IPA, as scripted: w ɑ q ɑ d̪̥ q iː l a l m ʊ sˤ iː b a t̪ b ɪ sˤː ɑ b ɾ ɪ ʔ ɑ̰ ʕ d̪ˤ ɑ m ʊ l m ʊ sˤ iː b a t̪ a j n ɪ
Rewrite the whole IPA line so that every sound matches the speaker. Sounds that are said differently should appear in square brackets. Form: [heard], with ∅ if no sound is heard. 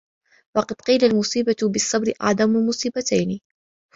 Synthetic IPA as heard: w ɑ q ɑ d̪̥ q iː l a l m ʊ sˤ iː b a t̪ b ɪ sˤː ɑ b ɾ ɪ ʔ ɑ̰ ʕ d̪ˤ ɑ m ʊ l m ʊ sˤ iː b a t̪ a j n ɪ